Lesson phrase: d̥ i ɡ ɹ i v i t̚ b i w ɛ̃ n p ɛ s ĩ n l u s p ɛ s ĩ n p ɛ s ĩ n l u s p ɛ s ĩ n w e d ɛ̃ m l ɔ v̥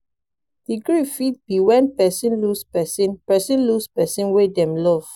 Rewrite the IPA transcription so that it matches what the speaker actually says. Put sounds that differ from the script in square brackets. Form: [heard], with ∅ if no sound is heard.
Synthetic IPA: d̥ i ɡ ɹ i [f] i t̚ b i w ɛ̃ n p ɛ s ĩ n l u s p ɛ s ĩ n p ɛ s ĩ n l u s p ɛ s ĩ n w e d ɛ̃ m l ɔ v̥